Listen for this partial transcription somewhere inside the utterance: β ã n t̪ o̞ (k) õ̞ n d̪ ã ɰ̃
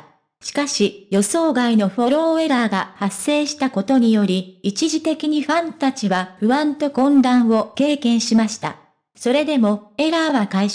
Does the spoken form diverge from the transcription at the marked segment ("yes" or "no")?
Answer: no